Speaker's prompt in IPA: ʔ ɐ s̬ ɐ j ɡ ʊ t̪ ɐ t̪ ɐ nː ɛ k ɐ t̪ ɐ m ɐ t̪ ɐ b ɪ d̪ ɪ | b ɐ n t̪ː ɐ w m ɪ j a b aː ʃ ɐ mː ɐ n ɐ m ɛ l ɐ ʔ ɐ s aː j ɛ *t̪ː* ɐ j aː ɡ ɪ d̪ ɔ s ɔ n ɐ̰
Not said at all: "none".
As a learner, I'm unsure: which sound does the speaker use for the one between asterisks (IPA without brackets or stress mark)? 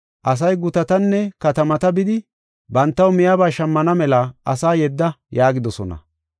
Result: d̪ː